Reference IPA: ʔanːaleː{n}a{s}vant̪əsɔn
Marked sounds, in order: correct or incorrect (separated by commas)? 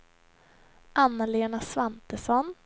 correct, correct